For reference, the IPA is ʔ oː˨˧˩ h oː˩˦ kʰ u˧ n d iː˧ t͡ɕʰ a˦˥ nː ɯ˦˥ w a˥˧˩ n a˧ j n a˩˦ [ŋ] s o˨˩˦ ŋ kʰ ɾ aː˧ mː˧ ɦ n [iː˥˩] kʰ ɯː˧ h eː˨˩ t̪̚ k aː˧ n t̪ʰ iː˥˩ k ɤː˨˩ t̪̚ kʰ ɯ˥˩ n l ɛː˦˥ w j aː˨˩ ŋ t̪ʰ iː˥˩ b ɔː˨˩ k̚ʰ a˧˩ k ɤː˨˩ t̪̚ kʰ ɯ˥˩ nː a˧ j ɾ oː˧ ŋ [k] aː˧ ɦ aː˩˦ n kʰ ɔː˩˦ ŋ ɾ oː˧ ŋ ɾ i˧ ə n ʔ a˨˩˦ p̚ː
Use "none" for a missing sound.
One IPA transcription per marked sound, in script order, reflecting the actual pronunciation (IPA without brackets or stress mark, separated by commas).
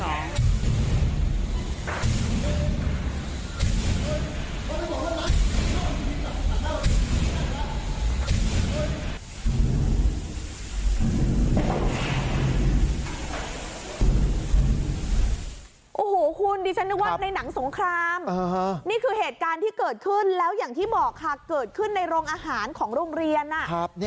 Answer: ŋ, iː˥˩, ʔ